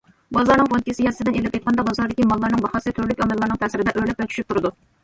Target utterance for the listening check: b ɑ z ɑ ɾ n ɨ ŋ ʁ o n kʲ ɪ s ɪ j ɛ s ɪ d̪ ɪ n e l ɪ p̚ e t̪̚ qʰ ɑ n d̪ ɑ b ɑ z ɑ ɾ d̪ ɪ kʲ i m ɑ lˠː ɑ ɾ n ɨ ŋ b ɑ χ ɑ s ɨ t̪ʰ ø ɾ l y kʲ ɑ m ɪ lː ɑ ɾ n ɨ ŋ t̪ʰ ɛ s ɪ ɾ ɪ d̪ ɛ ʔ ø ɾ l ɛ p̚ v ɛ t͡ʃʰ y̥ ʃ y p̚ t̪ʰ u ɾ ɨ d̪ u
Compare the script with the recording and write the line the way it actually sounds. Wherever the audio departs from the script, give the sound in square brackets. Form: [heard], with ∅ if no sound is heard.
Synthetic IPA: b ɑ z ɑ ɾ n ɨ ŋ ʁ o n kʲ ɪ s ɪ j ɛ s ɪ d̪ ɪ n e l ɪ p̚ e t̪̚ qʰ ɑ n d̪ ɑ b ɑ z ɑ ɾ d̪ ɪ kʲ i m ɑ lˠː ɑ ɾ n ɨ ŋ b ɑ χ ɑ s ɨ t̪ʰ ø ɾ l y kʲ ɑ m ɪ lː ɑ ɾ n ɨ ŋ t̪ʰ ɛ s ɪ ɾ ɪ d̪ ɛ ʔ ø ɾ l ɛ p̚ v ɛ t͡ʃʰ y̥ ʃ y p̚ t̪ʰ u ɾ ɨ d̪ u